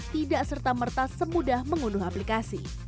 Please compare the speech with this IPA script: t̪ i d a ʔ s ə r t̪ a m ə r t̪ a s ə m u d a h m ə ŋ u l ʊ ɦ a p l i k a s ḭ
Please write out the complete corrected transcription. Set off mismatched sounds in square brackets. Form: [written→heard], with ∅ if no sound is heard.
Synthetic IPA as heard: t̪ i d a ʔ s ə r t̪ a m ə r t̪ a s ə m u d a h m ə ŋ u l ʊ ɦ a p l i k a s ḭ